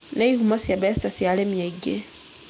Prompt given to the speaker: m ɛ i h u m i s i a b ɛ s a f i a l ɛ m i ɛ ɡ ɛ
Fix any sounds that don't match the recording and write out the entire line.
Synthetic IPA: n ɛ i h u m a s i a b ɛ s a s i a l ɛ m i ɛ ɡ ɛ

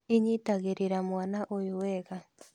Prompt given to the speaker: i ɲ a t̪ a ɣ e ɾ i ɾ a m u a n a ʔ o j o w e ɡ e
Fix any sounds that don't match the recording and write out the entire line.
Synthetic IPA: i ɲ i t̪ a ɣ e ɾ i ɾ a m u a n a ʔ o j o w e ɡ a

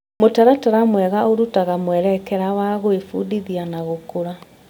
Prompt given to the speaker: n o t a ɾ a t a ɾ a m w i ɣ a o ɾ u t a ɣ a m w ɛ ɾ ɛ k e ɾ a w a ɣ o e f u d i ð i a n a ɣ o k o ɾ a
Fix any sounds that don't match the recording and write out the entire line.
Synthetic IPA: m o t a ɾ a t a ɾ a m w ɛ ɣ a o ɾ u t a ɣ a m w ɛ ɾ ɛ k ɛ ɾ a w a ɣ o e f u d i ð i a n a ɣ o k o ɾ a

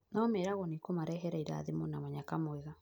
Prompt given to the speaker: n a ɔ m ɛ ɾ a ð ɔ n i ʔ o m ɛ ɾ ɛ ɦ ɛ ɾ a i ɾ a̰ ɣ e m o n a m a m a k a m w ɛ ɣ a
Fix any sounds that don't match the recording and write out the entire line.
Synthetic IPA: n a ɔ m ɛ ɾ a ɣ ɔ n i k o m a ɾ ɛ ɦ ɛ ɾ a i ɾ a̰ ð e m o n a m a ɲ a k a m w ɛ ɣ a

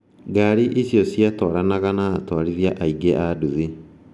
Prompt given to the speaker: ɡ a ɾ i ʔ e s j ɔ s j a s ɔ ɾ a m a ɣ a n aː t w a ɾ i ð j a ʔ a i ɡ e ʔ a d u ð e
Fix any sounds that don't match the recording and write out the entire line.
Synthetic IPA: ɡ a ɾ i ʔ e s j ɔ s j a t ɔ ɾ a n a ɣ a n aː t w a ɾ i ð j a ʔ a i ɡ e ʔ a d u ð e

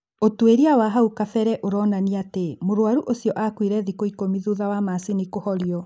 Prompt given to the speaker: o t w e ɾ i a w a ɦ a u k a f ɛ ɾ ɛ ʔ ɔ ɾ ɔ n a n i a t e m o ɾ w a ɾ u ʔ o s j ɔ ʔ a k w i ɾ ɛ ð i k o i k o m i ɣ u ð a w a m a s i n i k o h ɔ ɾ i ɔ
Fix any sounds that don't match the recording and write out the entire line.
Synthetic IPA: o t w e ɾ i a w a ɦ a u k a f ɛ ɾ ɛ ʔ o ɾ ɔ n a n i a t e m o ɾ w a ɾ u ʔ o s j ɔ ʔ a k w i ɾ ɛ ð i k o i k o m i ð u ð a w a m a s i n i k o h ɔ ɾ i ɔ

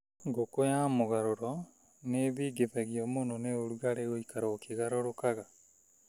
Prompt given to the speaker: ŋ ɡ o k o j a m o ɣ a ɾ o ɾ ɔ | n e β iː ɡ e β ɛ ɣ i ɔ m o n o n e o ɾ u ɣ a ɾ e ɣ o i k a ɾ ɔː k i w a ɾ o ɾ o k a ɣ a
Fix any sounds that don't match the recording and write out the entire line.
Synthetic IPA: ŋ ɡ o k o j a m o ɣ a ɾ o ɾ ɔ | n e β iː ɡ e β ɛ ɣ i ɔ m o n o n e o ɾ u ɣ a ɾ e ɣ o i k a ɾ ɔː k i ɣ a ɾ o ɾ o k a ɣ a

